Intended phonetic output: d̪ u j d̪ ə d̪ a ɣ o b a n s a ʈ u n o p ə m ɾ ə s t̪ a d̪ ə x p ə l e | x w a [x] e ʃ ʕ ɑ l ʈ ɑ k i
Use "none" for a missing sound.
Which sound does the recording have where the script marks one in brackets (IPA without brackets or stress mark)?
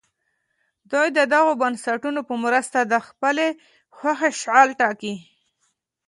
x